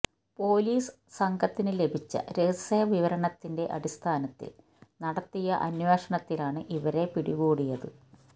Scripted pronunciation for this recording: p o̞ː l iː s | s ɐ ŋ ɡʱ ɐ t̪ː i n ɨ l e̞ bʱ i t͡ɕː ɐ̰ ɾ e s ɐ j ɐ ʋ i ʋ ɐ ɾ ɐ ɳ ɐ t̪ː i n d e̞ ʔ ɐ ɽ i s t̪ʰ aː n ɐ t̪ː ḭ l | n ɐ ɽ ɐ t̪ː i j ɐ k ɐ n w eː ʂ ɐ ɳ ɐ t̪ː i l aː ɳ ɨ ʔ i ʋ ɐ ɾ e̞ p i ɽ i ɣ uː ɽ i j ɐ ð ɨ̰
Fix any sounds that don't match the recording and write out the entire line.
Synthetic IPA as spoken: p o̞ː l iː s | s ɐ ŋ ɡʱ ɐ t̪ː i n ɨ l e̞ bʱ i t͡ɕː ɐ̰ ɾ e s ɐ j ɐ ʋ i ʋ ɐ ɾ ɐ ɳ ɐ t̪ː i n d e̞ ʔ ɐ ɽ i s t̪ʰ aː n ɐ t̪ː ḭ l | n ɐ ɽ ɐ t̪ː i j ɐ ʔ ɐ n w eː ʂ ɐ ɳ ɐ t̪ː i l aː ɳ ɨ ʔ i ʋ ɐ ɾ e̞ p i ɽ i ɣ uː ɽ i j ɐ ð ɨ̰

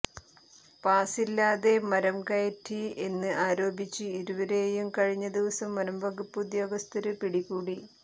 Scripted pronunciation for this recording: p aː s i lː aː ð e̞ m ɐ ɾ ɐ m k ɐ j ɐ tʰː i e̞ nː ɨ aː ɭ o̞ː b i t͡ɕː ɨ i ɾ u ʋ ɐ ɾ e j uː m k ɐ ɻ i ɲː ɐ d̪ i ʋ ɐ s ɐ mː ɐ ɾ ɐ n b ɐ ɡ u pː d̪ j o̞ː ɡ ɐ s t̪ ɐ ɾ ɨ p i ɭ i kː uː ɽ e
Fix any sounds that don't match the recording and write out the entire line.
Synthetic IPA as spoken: p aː s i lː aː ð e̞ m ɐ ɾ ɐ m k ɐ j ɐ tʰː i e̞ nː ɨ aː ɾ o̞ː b i t͡ɕː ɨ i ɾ u ʋ ɐ ɾ e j u m k ɐ ɻ i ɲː ɐ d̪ i ʋ ɐ s ɐ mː ɐ ɾ ɐ m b ɐ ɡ u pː d̪ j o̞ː ɡ ɐ s t̪ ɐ ɾ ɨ p i ɽ i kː uː ɽ i

